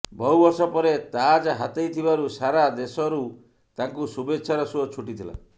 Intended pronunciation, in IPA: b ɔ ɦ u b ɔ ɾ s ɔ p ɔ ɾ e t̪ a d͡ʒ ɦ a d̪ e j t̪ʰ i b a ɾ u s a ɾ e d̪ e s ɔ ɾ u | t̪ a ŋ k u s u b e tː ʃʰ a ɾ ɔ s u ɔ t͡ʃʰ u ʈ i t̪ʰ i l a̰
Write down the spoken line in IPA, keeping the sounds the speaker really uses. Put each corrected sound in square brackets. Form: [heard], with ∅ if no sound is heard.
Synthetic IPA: b ɔ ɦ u b ɔ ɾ s ɔ p ɔ ɾ e t̪ a d͡ʒ ɦ a [t̪] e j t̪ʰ i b a ɾ u s a ɾ [a] d̪ e s ɔ ɾ u | t̪ a ŋ k u s u b e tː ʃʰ a ɾ ɔ s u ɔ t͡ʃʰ u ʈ i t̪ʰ i l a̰